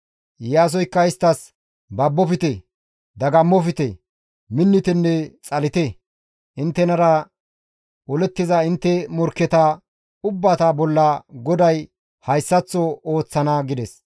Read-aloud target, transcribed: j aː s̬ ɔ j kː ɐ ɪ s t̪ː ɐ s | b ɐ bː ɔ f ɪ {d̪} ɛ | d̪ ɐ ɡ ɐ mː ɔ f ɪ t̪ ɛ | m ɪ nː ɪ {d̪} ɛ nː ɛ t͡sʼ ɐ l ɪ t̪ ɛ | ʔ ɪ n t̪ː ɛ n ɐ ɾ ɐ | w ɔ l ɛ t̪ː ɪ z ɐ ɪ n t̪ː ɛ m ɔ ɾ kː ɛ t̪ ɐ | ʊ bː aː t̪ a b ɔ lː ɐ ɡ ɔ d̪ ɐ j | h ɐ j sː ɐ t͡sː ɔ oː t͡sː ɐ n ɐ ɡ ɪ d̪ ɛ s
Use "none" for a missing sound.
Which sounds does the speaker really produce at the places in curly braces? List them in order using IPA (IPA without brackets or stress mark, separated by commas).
t̪, t̪